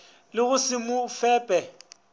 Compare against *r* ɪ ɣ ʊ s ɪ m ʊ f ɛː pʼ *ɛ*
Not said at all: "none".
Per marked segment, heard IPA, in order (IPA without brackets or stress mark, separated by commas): l, ɛ